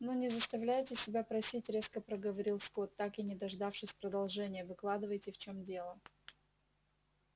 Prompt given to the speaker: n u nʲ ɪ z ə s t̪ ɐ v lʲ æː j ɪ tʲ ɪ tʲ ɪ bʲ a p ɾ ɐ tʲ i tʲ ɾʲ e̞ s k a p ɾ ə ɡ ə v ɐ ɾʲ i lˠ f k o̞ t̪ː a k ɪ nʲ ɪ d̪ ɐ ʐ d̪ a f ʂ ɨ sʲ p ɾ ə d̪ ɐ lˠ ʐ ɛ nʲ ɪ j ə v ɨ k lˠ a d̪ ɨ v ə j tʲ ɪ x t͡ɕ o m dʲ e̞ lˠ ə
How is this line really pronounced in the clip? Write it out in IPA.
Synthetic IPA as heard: n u nʲ ɪ z ə s t̪ ɐ v lʲ æ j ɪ tʲ ɪ sʲ ɪ bʲ a p ɾ ɐ sʲ i tʲ ɾʲ e̞ s k ə p ɾ ə ɡ ə v ɐ ɾʲ i lˠ s k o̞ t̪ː a k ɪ nʲ ɪ d̪ ɐ ʐ d̪ a f ʂ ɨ sʲ p ɾ ə d̪ ɐ lˠ ʐ ɛ nʲ ɪ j ə v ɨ k lˠ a d̪ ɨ v ə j tʲ ɪ f t͡ɕ o m dʲ e̞ lˠ ə